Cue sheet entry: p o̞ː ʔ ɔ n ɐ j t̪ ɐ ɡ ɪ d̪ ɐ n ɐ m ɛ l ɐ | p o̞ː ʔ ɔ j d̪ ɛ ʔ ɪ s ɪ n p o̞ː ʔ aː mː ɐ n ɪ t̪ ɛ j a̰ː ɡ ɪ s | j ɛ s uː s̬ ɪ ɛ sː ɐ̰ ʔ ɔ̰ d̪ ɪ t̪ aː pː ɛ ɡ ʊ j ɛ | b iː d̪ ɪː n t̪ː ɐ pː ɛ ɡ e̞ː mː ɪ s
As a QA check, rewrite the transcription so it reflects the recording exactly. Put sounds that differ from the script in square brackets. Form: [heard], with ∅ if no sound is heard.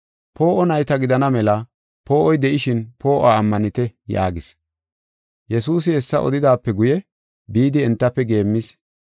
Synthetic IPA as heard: p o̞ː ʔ ɔ n ɐ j t̪ ɐ ɡ ɪ d̪ ɐ n ɐ m ɛ l ɐ | p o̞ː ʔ ɔ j d̪ ɛ ʔ ɪ [ʃ] ɪ n p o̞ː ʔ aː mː ɐ n ɪ t̪ ɛ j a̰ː ɡ ɪ s | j ɛ s uː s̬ ɪ ɛ sː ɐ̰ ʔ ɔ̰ d̪ ɪ [d̪] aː pː ɛ ɡ ʊ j ɛ | b iː d̪ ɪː n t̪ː ɐ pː ɛ ɡ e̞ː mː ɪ s